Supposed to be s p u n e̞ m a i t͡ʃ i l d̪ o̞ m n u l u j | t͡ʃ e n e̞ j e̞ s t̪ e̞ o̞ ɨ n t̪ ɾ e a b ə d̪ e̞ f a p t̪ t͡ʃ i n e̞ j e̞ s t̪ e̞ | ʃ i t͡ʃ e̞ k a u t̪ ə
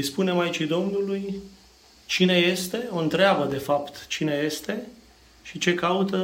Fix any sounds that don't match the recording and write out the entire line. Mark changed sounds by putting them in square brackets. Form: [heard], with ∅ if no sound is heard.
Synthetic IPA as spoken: s p u n e̞ m a i t͡ʃ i [∅] d̪ o̞ m n u l u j | t͡ʃ [i] n e̞ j e̞ s t̪ e̞ o̞ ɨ n t̪ ɾ e a b ə d̪ e̞ f a p t̪ t͡ʃ i n e̞ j e̞ s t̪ e̞ | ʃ i t͡ʃ e̞ k a u t̪ ə